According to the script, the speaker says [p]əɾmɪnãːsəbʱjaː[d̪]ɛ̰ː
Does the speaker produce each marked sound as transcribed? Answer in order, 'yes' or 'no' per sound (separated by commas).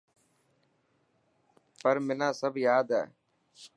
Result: yes, yes